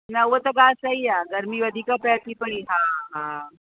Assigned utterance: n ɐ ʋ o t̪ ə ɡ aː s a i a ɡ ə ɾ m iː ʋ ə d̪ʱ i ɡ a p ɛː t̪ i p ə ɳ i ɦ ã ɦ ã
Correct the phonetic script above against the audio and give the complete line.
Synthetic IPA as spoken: n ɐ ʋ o t̪ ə ɡ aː s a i a ɡ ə ɾ m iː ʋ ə d̪ʱ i k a p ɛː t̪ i p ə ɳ i ɦ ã ɦ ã